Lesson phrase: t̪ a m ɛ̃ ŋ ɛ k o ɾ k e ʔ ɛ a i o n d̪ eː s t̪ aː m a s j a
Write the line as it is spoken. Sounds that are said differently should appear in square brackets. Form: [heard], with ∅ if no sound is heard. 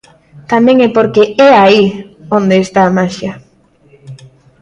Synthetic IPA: t̪ a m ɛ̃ ŋ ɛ [p] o ɾ k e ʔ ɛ a i o n d̪ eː s t̪ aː m a [ʃ] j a